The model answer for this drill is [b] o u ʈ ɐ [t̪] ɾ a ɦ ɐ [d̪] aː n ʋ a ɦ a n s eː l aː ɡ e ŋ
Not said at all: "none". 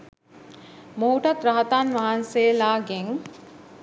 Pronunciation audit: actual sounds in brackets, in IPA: m, t̪, t̪

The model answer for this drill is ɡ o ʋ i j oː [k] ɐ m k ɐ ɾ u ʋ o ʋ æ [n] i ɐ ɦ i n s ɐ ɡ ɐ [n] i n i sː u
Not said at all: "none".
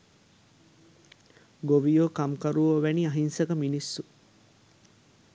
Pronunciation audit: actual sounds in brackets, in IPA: k, n, m

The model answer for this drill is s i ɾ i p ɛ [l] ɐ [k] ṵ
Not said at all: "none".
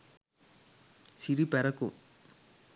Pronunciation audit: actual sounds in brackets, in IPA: ɾ, k

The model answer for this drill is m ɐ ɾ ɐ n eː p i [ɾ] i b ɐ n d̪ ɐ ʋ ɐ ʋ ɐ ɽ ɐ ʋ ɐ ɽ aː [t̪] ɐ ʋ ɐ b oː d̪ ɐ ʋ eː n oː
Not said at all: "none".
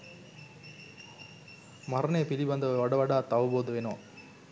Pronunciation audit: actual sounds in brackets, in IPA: l, t̪

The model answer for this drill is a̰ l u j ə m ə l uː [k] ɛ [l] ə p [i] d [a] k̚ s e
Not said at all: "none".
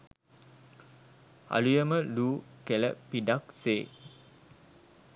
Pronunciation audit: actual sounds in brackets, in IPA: k, l, i, a

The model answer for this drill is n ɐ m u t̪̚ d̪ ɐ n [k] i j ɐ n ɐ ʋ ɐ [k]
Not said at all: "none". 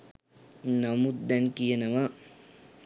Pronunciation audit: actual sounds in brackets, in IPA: k, none

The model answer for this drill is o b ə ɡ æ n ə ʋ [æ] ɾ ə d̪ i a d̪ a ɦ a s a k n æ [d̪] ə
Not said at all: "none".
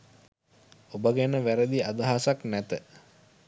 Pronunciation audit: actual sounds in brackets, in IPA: æ, t̪

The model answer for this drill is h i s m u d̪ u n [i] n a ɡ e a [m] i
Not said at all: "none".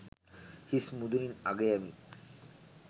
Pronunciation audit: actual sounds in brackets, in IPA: i, m

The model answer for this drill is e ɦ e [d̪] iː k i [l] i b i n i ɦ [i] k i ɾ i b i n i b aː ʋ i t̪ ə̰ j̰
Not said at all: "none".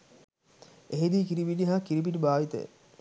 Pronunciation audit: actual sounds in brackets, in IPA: d̪, ɾ, a

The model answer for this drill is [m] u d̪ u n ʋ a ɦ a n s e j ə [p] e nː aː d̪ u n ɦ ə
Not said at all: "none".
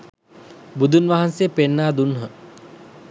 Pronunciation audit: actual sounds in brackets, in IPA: b, p

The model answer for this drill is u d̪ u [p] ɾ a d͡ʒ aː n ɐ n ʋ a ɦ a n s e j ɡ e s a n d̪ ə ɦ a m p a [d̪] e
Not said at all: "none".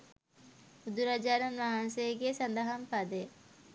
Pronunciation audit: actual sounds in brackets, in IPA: none, d̪

